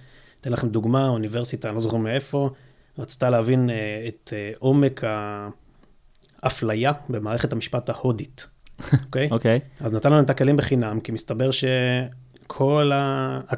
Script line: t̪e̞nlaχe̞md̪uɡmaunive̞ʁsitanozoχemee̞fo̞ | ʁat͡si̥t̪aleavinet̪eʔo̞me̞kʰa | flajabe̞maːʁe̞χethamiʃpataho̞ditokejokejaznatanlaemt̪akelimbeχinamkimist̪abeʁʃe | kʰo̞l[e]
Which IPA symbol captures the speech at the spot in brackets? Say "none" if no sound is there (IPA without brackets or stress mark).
a